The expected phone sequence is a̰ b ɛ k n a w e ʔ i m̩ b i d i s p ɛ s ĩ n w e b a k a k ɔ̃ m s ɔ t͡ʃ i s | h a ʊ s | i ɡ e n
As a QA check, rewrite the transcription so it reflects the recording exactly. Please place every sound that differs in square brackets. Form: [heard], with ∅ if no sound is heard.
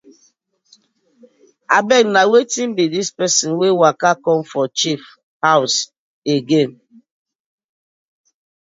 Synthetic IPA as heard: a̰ b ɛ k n a w e [t] i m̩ b i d i s p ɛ s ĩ n w e [w] a k a k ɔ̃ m [f] ɔ t͡ʃ i [f] | h a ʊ s | [e] ɡ e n